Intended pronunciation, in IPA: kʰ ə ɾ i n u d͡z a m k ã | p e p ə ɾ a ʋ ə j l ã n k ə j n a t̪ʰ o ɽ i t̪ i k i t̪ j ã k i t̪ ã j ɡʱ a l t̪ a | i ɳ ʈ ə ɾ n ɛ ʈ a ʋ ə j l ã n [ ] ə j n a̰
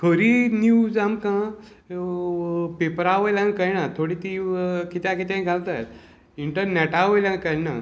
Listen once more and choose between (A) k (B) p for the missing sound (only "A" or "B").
A